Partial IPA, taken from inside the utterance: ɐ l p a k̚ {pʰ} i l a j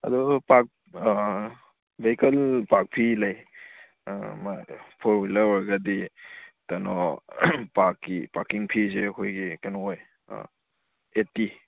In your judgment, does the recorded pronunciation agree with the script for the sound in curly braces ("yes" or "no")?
yes